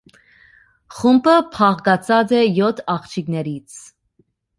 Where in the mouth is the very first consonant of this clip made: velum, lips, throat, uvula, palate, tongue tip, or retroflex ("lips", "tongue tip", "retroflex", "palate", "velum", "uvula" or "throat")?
uvula